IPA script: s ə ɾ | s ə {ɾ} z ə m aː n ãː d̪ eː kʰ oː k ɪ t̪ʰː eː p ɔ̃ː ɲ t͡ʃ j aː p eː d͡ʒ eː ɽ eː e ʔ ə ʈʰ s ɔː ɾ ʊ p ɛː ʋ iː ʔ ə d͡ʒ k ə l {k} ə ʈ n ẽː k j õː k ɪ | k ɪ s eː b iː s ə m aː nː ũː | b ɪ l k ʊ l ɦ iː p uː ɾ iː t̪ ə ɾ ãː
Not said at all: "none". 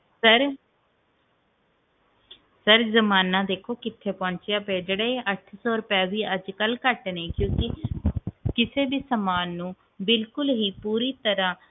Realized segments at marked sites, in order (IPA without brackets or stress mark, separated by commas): ɾ, k